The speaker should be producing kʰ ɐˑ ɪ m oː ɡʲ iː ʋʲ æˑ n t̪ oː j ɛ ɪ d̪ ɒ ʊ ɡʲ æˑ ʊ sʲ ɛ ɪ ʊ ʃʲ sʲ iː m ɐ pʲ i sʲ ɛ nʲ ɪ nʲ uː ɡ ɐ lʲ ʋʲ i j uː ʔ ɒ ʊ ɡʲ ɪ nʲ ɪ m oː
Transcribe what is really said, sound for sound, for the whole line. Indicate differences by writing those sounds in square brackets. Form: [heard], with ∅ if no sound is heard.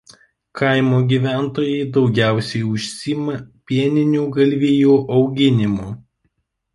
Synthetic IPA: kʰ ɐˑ ɪ m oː ɡʲ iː ʋʲ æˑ n t̪ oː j ɛ ɪ d̪ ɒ ʊ ɡʲ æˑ ʊ sʲ ɛ ɪ ʊ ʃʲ sʲ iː m ɐ pʲ i [∅] ɛ nʲ ɪ nʲ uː ɡ ɐ lʲ ʋʲ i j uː ʔ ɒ ʊ ɡʲ ɪ nʲ ɪ m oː